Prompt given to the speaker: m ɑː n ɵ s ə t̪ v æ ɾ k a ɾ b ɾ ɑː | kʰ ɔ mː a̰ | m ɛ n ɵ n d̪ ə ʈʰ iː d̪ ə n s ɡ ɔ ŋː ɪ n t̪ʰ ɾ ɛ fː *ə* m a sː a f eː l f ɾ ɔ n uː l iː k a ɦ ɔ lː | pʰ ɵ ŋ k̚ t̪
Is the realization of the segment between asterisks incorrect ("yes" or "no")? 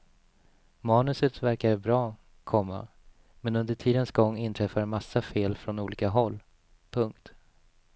yes